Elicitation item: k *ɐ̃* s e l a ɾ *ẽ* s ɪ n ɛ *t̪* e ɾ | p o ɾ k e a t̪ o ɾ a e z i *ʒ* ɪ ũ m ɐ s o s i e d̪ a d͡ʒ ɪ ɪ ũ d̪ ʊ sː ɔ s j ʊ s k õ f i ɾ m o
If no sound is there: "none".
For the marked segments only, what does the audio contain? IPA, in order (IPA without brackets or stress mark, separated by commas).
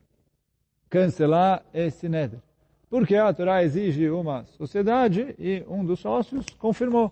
ɐ̃, e, d̪, ʒ